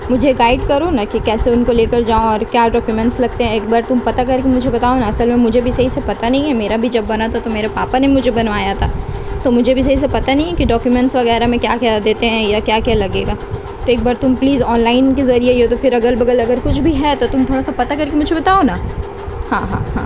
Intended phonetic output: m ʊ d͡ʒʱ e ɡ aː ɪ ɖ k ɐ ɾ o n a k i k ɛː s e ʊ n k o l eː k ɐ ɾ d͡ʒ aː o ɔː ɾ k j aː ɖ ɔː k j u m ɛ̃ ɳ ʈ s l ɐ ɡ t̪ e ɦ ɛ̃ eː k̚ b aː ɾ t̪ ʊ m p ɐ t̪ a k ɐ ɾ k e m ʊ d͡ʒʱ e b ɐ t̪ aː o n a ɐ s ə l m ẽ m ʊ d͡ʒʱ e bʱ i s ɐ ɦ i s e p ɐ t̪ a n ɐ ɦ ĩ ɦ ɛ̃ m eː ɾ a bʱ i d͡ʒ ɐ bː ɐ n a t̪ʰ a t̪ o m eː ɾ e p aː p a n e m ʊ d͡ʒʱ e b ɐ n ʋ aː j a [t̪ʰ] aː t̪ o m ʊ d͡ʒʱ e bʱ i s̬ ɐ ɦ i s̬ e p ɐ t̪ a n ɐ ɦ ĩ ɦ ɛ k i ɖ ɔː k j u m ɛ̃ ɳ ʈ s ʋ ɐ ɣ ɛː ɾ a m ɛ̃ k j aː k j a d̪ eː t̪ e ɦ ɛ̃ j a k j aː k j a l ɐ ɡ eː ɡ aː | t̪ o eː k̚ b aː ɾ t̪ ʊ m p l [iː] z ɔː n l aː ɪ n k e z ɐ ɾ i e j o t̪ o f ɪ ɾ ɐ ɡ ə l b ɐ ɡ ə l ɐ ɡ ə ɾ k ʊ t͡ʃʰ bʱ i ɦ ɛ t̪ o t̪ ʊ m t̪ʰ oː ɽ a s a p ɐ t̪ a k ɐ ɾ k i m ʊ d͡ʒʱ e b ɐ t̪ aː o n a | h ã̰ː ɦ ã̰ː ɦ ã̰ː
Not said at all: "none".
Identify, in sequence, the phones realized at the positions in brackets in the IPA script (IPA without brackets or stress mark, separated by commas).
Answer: t̪ʰ, iː